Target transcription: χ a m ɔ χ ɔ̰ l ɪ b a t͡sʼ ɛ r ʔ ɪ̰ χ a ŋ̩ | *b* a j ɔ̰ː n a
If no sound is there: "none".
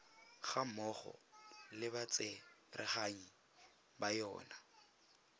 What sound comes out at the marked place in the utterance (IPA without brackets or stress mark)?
b